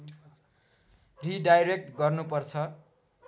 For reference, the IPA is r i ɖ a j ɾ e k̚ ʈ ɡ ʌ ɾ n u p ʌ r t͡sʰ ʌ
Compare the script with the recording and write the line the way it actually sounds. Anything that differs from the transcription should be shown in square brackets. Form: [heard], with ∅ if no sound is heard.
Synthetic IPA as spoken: r i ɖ a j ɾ e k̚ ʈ ɡ ʌ [r] n u p ʌ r t͡sʰ ʌ